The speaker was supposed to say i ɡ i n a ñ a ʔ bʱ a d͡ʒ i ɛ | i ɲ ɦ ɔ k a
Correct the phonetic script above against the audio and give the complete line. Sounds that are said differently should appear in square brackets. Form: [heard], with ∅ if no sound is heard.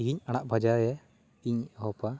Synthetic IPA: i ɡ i [ɲ] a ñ a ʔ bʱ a d͡ʒ [a] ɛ | i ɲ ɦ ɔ [p] a